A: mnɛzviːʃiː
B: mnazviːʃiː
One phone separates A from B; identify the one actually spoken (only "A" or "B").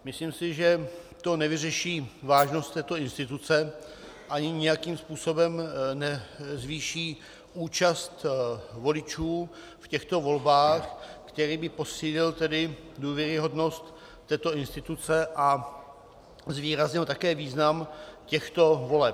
A